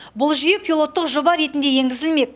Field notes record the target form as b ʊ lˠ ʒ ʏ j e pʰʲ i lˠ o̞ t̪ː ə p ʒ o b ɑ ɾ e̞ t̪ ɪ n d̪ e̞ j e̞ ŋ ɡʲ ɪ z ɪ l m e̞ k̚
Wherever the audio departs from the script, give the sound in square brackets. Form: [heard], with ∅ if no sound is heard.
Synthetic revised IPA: b ʊ lˠ ʒ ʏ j e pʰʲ i lˠ o̞ t̪ː ə [q] ʒ o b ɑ ɾ e̞ t̪ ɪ n d̪ e̞ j e̞ ŋ ɡʲ ɪ z ɪ l m e̞ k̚